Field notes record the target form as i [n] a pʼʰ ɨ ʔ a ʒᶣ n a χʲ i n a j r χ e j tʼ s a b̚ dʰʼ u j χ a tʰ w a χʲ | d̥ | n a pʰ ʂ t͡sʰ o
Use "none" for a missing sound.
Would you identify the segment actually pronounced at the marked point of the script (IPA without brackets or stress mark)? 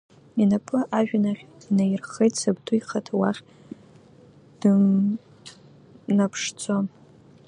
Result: n